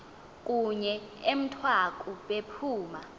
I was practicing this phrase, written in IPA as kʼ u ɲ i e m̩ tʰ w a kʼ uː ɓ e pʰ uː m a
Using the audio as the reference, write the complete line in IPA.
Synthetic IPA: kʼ u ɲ ɛ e m̩ tʰ w a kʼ u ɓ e pʰ uː m a